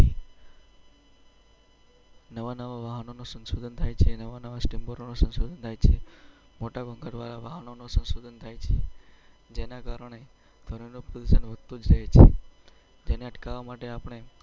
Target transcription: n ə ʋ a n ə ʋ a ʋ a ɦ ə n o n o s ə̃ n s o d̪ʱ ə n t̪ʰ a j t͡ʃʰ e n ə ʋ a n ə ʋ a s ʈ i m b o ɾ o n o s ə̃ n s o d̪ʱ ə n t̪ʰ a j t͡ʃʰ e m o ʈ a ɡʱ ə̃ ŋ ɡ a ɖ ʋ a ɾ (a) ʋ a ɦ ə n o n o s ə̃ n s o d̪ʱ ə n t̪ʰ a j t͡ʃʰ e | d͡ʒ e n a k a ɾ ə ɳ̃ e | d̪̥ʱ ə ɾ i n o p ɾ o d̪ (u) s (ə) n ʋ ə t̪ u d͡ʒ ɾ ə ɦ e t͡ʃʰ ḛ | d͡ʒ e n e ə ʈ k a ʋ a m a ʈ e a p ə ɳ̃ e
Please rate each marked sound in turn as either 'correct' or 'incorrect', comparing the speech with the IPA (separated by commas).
correct, correct, correct